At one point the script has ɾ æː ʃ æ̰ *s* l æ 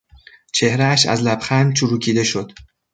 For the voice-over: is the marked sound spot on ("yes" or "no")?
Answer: no